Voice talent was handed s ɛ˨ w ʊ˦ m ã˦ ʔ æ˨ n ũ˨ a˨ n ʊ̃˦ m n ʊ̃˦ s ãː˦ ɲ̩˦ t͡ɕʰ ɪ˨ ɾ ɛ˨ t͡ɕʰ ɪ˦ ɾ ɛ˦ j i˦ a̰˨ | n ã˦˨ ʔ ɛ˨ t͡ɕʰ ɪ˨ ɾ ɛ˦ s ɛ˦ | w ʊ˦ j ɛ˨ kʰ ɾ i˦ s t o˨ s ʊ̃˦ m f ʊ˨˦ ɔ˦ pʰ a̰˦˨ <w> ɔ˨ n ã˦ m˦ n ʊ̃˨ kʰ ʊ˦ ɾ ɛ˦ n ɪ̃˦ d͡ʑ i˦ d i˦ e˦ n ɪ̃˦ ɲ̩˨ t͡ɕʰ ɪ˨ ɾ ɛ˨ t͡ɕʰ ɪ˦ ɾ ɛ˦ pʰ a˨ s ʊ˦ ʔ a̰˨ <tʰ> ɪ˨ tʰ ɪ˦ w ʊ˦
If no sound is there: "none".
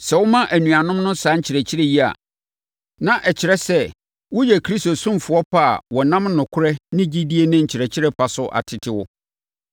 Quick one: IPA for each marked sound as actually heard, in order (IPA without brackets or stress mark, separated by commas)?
w, tʰ